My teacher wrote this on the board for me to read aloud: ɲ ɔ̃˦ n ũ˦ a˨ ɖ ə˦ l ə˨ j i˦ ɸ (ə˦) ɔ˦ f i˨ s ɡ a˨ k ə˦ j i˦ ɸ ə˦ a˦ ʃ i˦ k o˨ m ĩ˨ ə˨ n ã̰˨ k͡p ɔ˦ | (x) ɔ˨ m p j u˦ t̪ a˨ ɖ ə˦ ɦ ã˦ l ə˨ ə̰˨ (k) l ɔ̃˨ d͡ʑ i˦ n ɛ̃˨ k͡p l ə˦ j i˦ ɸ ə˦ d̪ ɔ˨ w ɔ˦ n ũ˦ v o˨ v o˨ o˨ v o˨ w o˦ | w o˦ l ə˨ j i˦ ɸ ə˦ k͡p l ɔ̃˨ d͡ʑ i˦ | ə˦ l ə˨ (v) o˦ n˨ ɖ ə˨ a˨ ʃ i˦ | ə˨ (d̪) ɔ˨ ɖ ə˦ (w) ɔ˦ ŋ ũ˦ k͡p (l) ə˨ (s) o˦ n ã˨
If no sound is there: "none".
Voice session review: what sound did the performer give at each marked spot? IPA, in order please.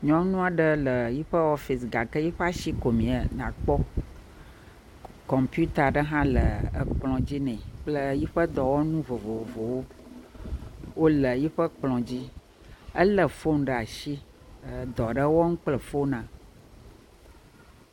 ə˦, k, k͡p, f, d̪, w, l, f

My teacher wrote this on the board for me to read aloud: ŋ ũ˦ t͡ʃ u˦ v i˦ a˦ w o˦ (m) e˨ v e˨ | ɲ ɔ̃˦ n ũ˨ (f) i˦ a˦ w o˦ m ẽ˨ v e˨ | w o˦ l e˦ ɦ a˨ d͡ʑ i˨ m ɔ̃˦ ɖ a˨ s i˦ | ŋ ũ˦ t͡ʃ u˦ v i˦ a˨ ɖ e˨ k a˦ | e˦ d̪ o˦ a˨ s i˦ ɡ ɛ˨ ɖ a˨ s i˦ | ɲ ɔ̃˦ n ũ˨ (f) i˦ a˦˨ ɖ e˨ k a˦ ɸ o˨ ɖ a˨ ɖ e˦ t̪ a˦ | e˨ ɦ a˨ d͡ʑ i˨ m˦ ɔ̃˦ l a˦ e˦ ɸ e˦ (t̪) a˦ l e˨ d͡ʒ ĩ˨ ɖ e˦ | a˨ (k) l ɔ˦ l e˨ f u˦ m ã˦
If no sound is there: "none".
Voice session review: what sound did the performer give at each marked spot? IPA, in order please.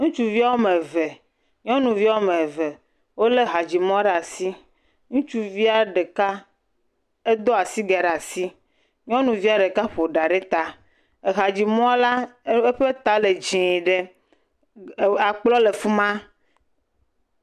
m, v, v, t̪, k͡p

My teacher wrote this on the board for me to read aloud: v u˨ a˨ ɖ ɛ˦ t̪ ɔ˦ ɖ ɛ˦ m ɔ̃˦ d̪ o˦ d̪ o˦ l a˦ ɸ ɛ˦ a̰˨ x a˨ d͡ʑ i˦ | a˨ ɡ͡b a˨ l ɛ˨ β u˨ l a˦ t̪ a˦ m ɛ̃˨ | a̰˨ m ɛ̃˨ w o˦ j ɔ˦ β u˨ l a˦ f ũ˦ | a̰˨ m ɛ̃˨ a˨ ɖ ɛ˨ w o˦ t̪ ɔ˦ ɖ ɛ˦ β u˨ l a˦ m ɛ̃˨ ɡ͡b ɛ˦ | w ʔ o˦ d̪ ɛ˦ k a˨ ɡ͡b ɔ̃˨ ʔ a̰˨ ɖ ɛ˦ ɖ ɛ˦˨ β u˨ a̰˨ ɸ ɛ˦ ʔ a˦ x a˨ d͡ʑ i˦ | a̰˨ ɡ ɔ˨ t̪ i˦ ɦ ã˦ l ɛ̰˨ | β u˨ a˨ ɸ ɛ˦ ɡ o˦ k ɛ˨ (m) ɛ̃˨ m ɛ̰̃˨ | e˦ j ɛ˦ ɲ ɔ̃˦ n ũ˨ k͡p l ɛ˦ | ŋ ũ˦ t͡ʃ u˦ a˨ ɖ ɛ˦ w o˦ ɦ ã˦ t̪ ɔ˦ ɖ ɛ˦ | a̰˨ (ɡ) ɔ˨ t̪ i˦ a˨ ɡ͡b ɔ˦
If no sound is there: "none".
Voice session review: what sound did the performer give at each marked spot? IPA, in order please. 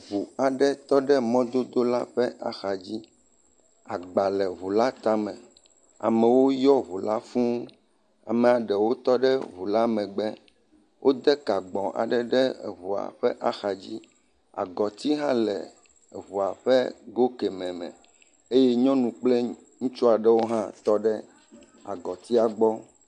m, ɡ

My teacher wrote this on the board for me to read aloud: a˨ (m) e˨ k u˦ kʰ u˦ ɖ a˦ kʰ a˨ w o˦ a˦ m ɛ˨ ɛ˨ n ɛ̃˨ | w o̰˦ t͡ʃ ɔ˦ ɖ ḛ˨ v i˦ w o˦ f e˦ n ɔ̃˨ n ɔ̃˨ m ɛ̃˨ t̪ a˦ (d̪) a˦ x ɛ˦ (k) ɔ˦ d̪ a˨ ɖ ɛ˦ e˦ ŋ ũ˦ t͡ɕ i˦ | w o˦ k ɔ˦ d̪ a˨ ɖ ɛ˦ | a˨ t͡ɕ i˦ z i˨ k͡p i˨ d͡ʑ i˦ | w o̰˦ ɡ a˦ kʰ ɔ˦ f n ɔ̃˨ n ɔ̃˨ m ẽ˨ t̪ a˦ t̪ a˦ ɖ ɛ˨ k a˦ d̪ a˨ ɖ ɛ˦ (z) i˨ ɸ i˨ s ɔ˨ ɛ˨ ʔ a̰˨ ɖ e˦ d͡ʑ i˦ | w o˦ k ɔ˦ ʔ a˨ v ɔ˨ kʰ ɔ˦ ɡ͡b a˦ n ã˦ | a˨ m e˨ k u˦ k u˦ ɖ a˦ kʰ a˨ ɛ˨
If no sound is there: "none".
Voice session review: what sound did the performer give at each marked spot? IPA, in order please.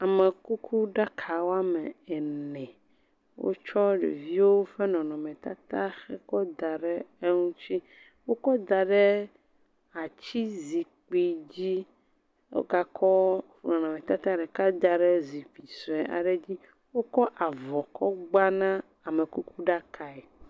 m, t̪, k, z

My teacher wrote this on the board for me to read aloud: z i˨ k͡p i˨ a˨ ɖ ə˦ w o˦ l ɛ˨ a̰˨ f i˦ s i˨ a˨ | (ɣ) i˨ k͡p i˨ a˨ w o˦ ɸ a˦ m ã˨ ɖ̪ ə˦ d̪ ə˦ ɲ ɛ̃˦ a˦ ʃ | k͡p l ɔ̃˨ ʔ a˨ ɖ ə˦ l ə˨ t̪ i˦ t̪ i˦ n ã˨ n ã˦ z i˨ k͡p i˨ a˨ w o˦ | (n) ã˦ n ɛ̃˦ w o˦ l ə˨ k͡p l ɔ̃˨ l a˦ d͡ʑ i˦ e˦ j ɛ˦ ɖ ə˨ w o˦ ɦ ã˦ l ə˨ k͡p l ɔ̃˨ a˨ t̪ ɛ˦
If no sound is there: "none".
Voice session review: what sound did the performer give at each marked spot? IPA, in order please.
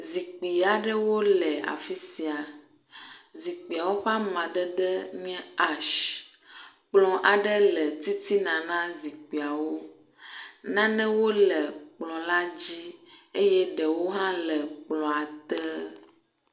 z, n

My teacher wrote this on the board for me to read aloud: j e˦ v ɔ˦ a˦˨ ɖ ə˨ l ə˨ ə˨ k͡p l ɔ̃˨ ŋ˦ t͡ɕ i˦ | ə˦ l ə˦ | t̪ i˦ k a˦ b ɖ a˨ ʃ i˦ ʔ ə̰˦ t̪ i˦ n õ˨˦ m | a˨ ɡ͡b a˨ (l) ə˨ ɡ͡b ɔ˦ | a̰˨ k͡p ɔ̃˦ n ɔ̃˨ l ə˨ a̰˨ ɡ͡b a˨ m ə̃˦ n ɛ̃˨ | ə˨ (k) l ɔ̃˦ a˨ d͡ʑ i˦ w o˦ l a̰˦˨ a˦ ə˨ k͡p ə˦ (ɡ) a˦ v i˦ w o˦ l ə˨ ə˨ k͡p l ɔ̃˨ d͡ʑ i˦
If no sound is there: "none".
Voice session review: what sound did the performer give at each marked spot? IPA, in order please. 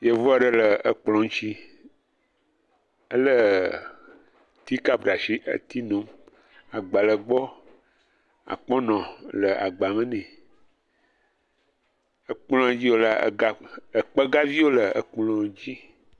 l, k͡p, ɡ

